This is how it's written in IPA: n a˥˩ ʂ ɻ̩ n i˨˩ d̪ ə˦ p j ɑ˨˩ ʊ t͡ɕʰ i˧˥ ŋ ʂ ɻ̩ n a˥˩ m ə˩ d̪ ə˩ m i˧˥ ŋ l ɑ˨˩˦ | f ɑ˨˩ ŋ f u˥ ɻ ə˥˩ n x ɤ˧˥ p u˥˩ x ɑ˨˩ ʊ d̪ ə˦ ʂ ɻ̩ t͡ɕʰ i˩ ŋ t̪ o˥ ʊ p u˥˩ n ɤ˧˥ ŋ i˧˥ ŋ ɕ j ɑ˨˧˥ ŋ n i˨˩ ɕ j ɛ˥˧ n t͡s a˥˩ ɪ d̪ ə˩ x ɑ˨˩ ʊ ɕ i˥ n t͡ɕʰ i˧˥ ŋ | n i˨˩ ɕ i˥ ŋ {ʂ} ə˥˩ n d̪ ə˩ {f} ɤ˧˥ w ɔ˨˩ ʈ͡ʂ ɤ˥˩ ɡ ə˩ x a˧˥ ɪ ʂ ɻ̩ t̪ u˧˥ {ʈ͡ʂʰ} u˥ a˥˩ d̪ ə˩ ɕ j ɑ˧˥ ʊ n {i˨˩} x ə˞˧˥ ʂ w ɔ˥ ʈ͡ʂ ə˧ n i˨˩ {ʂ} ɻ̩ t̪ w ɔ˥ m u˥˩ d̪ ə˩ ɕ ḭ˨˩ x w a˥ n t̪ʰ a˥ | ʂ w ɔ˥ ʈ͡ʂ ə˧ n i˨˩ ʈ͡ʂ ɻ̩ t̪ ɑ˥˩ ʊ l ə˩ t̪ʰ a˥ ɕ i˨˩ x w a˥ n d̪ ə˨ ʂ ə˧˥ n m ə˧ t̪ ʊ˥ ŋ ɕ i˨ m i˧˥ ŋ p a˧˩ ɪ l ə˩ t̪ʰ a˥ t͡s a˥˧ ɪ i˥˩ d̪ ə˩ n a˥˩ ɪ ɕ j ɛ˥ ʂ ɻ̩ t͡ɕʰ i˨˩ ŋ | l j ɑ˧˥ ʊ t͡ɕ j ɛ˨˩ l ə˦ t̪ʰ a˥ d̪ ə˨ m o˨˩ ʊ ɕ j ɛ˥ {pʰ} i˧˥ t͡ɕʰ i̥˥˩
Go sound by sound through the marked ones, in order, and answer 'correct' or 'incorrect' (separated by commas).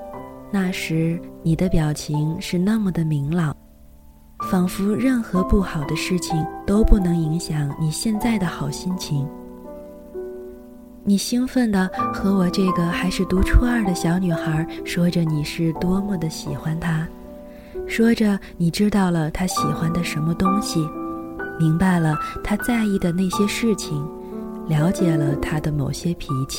incorrect, incorrect, correct, incorrect, correct, correct